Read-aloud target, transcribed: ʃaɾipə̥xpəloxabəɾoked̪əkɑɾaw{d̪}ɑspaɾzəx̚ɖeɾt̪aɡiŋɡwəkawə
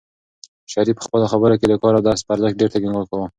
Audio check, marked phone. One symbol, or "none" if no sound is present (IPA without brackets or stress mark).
d̪